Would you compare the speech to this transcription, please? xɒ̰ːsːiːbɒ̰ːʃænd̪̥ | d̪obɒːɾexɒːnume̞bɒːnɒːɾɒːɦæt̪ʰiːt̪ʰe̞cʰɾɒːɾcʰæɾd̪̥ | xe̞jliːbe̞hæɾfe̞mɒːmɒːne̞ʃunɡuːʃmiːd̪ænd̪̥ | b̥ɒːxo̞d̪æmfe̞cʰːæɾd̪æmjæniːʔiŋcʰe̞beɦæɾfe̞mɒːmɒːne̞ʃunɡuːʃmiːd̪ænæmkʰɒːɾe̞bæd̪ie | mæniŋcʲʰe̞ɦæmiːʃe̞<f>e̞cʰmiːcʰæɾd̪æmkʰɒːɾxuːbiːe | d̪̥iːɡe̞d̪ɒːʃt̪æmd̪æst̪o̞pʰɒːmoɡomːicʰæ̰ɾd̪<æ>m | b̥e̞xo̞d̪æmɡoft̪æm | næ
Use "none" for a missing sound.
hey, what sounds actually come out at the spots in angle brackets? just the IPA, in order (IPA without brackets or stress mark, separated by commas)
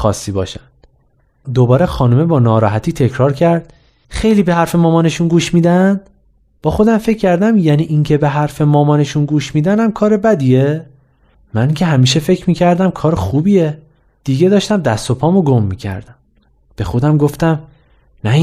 f, æ